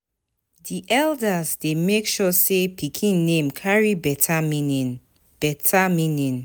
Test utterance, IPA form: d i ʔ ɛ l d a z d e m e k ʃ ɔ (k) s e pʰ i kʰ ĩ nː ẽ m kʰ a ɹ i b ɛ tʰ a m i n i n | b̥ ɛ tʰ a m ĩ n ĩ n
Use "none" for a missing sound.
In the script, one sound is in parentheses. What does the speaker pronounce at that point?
none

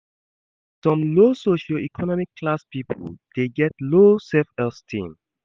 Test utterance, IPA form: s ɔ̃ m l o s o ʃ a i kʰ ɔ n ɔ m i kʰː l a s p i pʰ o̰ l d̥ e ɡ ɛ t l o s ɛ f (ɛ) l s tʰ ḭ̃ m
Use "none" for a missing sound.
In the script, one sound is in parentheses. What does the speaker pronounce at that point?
ɛ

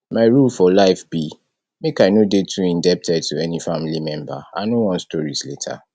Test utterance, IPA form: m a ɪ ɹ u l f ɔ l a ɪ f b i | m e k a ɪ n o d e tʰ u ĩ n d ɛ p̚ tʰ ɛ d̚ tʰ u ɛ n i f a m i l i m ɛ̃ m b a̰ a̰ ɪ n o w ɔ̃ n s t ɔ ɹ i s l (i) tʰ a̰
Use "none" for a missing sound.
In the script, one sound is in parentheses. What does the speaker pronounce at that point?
e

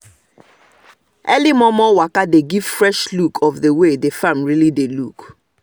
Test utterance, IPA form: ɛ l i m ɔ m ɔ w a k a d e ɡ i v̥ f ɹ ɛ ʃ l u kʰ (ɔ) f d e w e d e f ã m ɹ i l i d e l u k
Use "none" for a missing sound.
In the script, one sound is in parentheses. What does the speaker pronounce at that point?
ɔ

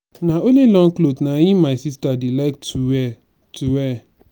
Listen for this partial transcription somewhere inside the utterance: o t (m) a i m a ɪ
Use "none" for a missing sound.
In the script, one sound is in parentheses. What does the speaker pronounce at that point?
n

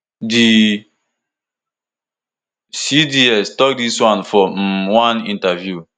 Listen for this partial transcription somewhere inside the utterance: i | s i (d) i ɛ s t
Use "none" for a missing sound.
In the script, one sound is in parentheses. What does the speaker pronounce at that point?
d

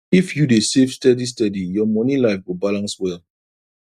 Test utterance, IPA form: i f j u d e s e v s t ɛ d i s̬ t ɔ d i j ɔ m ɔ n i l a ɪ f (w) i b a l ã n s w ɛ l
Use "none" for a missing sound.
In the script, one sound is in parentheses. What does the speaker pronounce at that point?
w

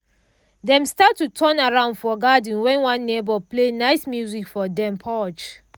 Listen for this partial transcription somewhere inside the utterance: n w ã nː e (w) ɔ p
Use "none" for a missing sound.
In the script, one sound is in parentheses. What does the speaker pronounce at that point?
b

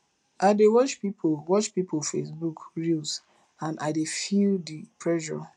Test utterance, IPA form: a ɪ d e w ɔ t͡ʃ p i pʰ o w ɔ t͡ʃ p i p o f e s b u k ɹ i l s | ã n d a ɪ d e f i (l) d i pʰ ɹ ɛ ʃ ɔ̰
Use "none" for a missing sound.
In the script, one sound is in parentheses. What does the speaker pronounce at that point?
l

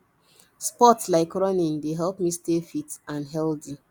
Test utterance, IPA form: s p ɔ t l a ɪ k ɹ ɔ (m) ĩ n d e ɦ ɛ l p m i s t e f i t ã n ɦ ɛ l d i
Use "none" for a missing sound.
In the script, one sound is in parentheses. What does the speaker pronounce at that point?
n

